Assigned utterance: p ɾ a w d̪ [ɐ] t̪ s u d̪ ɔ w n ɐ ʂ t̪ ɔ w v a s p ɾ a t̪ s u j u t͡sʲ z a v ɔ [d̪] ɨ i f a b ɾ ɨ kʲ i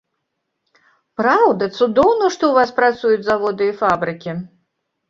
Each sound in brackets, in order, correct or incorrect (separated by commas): correct, correct